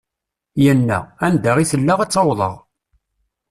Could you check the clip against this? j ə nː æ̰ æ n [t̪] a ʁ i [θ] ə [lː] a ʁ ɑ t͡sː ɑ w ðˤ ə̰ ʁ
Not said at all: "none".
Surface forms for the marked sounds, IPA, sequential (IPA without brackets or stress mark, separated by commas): d̪, θ, lː